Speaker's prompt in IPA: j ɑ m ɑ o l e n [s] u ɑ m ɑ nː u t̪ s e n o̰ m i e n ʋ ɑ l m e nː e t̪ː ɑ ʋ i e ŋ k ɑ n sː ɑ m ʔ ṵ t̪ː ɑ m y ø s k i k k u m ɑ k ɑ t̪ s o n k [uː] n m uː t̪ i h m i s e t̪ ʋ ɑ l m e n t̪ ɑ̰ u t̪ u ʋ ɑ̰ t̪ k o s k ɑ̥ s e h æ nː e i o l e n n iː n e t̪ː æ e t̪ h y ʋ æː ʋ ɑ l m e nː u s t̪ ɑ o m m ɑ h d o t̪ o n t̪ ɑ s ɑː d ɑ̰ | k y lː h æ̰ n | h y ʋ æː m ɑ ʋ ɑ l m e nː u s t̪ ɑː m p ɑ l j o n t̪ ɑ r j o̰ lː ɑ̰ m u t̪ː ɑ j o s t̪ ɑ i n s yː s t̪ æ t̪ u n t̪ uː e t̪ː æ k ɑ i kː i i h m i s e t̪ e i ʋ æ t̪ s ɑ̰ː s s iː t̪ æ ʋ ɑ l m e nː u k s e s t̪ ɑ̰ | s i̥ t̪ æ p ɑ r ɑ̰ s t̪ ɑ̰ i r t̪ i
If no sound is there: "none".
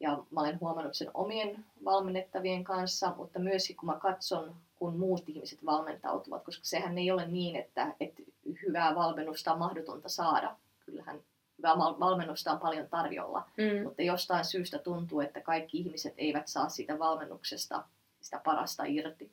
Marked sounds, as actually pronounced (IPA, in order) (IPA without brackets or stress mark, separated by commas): h, u